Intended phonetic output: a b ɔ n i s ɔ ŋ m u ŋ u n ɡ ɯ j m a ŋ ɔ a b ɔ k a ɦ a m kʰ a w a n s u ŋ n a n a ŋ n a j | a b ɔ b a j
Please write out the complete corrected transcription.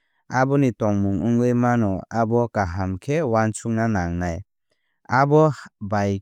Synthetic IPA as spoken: a b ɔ n i t ɔ ŋ m u ŋ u ŋ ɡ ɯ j m a n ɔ a b ɔ k a ɦ a m kʰ e w a n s u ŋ n a n a ŋ n a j | a b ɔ b a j